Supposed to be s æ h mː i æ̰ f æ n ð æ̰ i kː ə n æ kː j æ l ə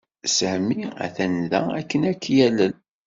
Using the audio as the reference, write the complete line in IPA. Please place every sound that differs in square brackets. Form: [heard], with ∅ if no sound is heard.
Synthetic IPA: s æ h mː i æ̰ [θ] æ n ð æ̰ [æ] kː ə n æ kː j æ l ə

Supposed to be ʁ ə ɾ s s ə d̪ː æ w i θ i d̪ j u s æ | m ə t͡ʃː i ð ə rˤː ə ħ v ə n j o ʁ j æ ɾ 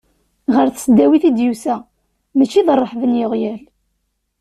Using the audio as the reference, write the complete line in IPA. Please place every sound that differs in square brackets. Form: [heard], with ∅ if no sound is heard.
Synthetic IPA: ʁ ə ɾ [θ] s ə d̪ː æ w i θ i d̪ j u s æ | m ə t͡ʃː i ð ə rˤː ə ħ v ə n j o ʁ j æ [l]

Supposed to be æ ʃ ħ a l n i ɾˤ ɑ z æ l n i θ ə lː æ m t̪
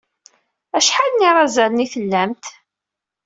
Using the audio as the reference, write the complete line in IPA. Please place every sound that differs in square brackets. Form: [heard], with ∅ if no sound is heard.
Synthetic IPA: æ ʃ ħ a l n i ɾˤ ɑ z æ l n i θ ə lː æ m t̪

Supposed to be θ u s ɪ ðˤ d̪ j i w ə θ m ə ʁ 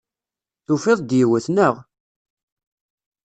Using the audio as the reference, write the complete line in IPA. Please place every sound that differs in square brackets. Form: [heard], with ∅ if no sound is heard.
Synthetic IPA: θ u [f] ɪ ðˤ d̪ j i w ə θ [n] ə ʁ

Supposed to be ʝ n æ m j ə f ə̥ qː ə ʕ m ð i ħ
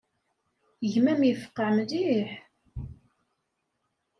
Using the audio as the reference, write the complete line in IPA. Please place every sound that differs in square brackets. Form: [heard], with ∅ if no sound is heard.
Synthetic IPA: ʝ [m] æ m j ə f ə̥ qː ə ʕ m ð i ħ

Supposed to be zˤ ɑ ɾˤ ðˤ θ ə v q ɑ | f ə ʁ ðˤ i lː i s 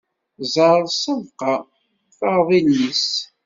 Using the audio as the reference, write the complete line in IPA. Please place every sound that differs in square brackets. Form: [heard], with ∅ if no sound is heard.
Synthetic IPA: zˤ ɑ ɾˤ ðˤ [s] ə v q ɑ | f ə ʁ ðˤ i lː i s

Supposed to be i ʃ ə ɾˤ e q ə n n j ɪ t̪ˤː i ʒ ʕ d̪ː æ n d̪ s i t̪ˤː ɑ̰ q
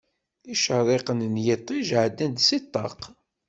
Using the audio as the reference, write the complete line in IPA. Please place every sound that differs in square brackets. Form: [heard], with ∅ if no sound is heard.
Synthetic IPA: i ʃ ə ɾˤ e q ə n n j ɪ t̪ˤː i ʒ ʕ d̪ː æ n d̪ s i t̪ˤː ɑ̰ q

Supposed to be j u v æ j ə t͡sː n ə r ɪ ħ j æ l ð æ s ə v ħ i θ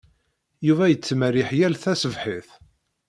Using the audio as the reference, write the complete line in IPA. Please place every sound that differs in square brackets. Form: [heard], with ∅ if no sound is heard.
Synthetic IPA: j u v æ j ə t͡sː [m] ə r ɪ ħ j æ l [θ] æ s ə v ħ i θ

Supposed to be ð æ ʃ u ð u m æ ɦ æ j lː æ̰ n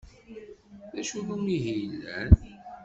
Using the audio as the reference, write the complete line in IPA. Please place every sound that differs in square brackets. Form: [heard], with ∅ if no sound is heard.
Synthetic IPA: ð æ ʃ u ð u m [i] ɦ [i] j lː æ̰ n

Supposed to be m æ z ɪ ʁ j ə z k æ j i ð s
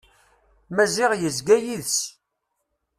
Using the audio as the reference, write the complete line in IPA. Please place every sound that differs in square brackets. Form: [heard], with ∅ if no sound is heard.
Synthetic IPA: m æ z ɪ ʁ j ə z [ɡ] æ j i ð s

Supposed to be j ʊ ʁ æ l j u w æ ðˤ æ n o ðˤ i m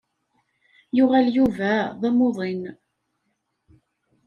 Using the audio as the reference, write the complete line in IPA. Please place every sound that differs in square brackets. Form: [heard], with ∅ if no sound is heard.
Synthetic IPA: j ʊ ʁ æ l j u [v] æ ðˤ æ [m] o ðˤ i [n]

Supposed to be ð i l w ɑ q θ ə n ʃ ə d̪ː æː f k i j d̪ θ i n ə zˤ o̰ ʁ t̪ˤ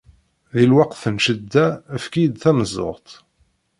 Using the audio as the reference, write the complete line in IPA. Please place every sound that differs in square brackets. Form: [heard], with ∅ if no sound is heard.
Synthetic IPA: ð i l w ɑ q θ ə n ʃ ə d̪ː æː f k i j d̪ θ [æ] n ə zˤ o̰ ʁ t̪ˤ

